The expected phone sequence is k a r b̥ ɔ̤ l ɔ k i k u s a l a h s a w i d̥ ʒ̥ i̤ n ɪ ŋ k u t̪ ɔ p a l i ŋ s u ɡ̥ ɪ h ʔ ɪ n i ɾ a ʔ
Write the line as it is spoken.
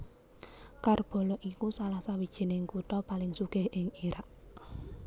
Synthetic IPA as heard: k a r b̥ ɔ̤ l ɔ ʔ i k u s a l a h s a w i d̥ ʒ̥ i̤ n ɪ ŋ k u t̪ ɔ p a l ɪ ŋ s u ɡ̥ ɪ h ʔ ɪ ŋ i ɾ a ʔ